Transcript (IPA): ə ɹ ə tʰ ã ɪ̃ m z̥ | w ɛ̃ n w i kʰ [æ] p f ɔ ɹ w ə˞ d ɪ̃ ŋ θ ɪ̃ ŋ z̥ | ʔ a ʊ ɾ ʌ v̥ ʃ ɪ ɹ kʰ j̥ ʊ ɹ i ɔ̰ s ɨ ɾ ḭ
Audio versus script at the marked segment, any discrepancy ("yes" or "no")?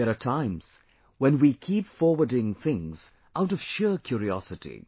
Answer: yes